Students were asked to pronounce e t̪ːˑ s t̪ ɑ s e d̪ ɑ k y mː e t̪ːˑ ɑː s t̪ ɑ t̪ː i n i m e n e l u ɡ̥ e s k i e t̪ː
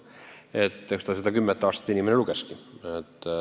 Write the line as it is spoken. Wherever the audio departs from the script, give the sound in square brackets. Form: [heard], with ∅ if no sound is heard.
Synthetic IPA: e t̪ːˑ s t̪ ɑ s e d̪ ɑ k y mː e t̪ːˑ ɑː s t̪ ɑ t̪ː i n i m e n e l u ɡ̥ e s k i e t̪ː